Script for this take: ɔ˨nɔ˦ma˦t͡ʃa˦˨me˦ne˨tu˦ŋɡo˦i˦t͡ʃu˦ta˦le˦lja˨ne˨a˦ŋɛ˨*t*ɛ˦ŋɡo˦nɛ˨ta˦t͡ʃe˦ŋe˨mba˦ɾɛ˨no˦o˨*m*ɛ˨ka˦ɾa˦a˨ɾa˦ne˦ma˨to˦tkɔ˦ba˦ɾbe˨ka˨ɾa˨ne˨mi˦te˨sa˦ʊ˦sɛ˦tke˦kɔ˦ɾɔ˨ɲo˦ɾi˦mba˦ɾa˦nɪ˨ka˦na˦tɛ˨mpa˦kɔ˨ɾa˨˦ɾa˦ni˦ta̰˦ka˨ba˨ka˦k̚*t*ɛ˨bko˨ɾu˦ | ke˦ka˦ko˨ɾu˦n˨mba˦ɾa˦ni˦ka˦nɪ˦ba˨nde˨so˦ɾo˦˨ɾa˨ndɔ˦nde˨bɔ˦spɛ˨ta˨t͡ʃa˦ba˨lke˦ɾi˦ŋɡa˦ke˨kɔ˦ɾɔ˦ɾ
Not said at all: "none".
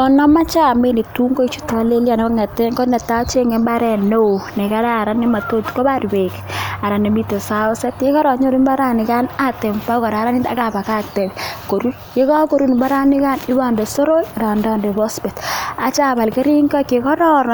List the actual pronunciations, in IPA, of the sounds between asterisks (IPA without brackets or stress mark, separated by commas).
t, n, t